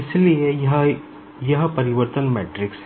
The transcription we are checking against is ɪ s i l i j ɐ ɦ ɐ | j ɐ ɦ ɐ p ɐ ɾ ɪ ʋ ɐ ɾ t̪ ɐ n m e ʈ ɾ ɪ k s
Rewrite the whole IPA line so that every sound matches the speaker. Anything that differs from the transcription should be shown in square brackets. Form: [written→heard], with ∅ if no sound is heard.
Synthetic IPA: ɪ s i l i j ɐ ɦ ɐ | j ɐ ɦ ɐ p ɐ ɾ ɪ ʋ ɐ ɾ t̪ ɐ n m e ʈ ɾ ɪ k s